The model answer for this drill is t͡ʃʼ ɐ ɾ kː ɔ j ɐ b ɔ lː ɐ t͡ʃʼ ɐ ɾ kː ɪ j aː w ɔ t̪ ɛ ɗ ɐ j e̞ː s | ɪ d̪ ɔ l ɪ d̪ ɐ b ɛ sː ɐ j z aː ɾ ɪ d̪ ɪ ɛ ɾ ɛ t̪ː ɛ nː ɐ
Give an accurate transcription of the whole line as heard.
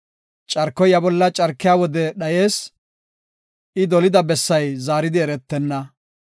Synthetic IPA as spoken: t͡ʃʼ ɐ ɾ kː ɔ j ɐ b ɔ lː ɐ t͡ʃʼ ɐ ɾ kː ɪ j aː w ɔ d̪ ɛ ɗ ɐ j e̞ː s | ɪ d̪ ɔ l ɪ d̪ ɐ b ɛ sː ɐ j z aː ɾ ɪ d̪ ɪ ɛ ɾ ɛ t̪ː ɛ nː ɐ